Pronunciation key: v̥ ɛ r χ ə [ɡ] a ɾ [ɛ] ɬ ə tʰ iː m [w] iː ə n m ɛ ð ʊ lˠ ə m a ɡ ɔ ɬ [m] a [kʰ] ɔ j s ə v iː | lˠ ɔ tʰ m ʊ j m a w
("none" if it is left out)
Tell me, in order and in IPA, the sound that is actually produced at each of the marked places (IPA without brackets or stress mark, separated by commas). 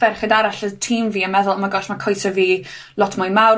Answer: d, a, v, m, kʰ